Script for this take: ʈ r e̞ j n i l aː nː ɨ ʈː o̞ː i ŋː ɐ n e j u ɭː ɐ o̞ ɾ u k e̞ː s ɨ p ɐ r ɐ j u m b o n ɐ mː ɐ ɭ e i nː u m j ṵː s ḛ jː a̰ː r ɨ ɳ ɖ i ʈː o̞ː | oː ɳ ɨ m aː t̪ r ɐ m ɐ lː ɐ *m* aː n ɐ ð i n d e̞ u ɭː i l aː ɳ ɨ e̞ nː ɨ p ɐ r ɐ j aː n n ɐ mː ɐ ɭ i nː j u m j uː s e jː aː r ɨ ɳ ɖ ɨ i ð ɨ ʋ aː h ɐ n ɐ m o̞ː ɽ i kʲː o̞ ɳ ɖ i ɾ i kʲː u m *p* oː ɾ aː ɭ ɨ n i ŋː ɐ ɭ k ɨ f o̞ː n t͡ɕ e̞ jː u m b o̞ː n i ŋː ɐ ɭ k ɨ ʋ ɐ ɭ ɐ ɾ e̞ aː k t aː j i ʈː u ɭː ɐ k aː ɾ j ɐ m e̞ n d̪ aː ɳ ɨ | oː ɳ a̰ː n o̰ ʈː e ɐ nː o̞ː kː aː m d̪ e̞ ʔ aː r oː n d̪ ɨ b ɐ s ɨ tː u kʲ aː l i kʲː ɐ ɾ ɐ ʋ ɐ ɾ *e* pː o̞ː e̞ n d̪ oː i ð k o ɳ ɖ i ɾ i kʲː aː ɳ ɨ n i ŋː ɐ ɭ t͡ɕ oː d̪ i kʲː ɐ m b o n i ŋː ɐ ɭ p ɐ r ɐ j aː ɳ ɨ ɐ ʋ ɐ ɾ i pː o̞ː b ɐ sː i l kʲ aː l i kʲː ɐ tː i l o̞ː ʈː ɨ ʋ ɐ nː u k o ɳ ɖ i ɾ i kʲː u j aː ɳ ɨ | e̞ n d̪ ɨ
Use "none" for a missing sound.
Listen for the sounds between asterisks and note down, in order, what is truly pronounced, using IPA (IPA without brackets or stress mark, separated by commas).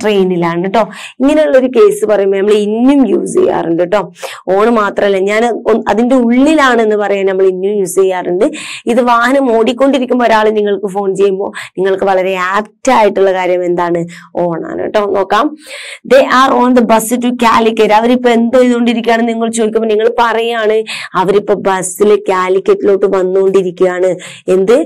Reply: ɲ, b, i